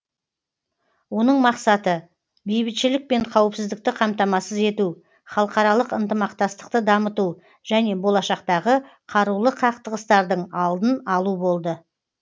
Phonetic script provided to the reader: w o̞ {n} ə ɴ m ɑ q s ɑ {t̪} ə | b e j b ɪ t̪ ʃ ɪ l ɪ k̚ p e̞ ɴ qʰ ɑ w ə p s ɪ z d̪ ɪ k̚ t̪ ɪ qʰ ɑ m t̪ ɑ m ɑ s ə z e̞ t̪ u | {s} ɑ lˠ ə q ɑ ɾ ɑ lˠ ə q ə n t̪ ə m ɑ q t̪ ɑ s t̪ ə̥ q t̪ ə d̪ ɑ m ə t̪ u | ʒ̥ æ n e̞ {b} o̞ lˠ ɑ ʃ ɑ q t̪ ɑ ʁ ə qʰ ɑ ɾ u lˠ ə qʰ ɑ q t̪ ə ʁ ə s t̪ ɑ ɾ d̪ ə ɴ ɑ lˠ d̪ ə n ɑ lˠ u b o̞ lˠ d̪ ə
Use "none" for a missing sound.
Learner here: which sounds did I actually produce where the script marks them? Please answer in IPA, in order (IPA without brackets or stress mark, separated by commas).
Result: n, t̪, χ, b